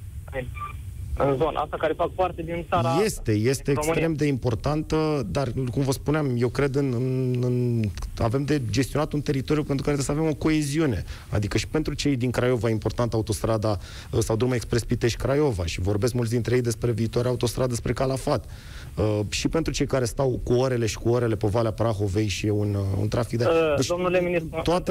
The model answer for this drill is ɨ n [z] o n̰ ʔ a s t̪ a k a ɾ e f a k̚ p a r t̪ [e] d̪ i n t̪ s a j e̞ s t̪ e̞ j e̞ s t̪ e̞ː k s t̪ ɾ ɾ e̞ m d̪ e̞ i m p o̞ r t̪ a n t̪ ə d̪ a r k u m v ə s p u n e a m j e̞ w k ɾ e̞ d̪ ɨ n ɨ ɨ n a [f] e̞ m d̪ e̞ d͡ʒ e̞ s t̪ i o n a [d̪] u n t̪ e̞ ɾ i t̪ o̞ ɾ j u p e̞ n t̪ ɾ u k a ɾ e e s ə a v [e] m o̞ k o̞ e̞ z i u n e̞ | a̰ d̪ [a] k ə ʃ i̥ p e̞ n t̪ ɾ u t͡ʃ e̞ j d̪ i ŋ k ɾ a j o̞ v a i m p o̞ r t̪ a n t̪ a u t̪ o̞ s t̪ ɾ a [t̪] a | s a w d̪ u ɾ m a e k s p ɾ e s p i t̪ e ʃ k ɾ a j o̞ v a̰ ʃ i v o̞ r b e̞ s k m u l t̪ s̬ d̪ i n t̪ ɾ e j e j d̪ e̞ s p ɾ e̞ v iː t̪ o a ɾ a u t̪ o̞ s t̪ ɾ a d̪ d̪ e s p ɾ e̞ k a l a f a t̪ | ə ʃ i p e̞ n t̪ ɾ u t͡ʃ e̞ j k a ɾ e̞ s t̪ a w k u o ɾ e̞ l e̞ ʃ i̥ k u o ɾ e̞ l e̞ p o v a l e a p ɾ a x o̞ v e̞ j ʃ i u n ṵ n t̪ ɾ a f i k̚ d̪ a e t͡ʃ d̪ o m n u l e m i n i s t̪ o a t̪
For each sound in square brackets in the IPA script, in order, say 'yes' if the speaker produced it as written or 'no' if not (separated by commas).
yes, yes, no, no, yes, no, no